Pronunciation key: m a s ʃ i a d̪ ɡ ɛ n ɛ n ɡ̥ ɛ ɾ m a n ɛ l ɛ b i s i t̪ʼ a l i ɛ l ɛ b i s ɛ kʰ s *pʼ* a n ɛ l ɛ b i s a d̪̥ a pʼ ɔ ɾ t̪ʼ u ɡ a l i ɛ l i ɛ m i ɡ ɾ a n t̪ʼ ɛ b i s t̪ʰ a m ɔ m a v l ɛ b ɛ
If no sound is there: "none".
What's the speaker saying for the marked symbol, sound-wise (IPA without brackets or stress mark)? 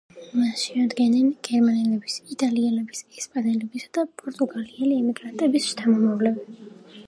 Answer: pʼ